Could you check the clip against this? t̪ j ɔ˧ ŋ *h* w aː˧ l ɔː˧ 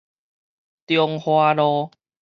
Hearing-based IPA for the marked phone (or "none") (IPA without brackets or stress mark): h